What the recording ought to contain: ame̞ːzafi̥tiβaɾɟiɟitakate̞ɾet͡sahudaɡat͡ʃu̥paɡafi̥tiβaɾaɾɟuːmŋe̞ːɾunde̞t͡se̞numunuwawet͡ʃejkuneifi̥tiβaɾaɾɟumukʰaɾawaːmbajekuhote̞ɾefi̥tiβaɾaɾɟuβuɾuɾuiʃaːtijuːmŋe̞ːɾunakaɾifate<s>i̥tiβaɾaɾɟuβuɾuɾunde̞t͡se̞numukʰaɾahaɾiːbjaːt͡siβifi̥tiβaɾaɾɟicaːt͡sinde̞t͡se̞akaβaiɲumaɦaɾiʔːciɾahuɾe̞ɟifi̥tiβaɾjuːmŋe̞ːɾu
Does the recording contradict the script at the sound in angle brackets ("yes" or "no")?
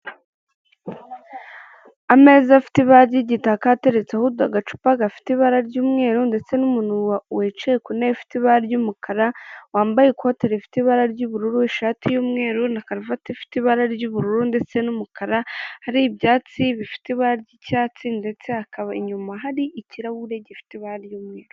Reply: yes